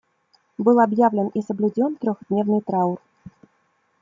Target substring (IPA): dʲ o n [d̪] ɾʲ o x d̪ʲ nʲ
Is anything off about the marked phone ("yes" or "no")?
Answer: yes